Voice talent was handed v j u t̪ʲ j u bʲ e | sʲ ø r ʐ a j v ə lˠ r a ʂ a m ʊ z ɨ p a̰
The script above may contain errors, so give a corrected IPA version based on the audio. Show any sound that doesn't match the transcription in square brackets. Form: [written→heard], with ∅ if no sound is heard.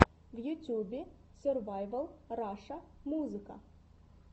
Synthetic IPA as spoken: v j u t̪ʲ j u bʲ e | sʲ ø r [ʐ→v] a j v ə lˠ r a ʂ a m [ʊ→u] z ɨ [p→k] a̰